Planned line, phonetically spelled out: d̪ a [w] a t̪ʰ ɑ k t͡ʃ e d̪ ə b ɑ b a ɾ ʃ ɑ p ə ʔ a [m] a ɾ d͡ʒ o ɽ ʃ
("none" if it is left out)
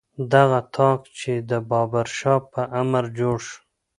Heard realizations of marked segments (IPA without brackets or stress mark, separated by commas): ɣ, m